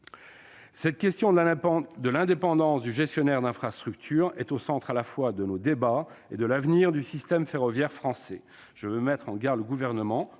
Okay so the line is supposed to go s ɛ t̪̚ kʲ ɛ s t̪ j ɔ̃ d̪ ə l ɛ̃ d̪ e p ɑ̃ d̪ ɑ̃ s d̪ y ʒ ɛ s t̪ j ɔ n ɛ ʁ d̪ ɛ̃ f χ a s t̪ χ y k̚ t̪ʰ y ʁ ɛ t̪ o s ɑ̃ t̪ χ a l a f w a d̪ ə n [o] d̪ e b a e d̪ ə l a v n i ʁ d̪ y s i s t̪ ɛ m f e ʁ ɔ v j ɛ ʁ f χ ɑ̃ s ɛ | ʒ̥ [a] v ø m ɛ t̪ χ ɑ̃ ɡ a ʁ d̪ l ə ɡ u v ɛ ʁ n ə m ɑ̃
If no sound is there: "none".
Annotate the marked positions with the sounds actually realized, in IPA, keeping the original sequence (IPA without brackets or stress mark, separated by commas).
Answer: o, ə